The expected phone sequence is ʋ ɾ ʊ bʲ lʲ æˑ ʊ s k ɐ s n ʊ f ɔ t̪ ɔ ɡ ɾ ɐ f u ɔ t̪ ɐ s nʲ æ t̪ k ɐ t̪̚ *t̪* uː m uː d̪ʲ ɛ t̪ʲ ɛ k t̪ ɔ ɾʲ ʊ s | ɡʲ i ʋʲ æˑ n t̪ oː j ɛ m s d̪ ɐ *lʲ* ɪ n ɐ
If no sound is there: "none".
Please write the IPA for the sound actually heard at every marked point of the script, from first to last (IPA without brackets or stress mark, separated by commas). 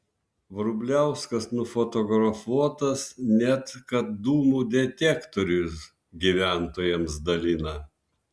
d̪, lʲ